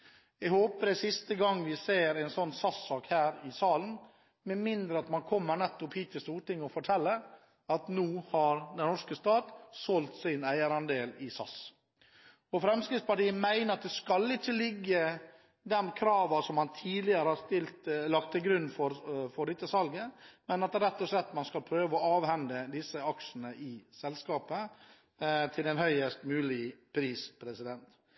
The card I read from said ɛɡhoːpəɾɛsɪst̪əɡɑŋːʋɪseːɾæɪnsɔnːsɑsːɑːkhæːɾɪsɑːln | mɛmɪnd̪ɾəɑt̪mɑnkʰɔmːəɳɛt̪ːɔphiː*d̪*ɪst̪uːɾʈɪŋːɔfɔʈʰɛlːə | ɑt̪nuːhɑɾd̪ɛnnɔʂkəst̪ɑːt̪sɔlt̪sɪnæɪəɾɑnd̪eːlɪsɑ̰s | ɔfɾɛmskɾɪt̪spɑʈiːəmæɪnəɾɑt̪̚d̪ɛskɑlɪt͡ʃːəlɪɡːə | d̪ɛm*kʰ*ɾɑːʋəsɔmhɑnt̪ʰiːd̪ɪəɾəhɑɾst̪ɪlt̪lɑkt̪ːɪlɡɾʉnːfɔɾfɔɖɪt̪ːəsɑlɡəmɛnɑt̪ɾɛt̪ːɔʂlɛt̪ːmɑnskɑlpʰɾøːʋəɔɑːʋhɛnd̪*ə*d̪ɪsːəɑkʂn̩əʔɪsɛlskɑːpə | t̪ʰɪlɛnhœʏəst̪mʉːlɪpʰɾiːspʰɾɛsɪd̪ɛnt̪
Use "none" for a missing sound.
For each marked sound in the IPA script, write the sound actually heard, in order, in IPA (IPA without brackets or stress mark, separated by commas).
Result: t̪, kʰ, ə